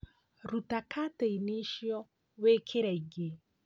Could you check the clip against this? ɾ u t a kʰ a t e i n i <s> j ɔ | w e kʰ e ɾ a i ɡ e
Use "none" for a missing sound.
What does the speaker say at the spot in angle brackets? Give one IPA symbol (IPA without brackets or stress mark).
ʃ